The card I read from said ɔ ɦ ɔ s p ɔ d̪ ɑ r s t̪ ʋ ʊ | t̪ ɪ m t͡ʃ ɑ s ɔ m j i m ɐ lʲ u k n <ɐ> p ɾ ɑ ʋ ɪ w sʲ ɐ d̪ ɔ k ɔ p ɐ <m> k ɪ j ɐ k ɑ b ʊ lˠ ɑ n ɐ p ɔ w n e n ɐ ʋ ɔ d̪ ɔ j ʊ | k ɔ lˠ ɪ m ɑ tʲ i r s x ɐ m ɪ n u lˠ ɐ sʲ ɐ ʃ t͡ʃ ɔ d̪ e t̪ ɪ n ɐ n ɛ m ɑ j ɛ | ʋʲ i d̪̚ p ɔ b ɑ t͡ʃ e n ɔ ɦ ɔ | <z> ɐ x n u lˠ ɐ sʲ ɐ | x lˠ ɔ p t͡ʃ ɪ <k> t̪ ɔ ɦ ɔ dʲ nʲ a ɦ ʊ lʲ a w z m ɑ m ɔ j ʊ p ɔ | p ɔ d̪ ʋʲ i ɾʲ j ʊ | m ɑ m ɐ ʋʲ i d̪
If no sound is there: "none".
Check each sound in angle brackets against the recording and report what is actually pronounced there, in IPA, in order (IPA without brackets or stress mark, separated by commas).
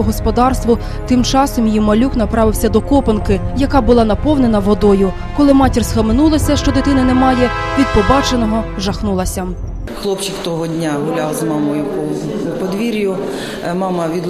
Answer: ɐ, n, ʒ, k